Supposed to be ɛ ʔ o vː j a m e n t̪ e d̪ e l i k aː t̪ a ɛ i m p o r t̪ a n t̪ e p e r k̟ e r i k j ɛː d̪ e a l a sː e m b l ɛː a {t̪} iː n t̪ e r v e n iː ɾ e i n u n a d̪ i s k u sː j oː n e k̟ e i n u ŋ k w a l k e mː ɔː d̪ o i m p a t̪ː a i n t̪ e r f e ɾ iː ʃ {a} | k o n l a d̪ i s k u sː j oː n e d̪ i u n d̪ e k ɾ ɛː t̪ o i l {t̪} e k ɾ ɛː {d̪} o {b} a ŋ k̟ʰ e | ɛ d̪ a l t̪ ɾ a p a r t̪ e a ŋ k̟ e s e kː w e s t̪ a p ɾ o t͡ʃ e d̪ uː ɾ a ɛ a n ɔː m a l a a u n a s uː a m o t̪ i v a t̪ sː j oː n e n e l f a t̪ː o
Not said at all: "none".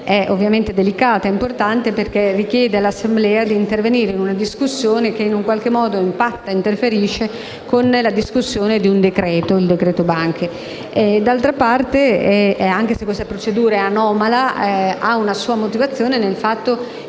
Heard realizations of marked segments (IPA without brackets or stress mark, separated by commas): d̪, e, d̪, t̪, b